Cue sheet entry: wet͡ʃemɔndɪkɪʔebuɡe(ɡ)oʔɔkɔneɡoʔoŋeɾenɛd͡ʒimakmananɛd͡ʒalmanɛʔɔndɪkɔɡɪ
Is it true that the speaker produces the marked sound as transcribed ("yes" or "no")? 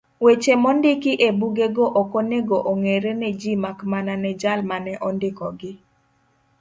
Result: yes